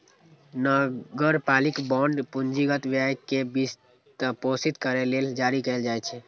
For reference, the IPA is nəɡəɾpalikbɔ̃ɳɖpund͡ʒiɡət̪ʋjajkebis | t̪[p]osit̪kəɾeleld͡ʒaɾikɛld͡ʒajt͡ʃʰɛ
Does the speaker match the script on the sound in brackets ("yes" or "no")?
yes